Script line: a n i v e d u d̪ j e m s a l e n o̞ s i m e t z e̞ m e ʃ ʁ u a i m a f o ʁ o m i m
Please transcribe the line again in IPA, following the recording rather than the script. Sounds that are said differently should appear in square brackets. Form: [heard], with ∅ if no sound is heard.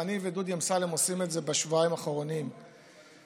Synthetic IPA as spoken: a n i v e d u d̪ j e m s a l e [m] o̞ s i m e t z e̞ [b] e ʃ [v] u a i m a [χ] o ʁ o [n] i m